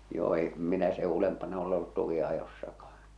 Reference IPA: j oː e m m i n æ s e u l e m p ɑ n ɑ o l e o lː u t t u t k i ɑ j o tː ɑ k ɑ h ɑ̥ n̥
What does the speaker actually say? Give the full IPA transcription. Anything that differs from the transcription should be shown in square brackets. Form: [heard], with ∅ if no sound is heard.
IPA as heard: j oː e m m i n æ s e u l e m p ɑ n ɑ o l e o lː u t t u [∅] k i ɑ j o [sː] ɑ k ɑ h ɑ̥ n̥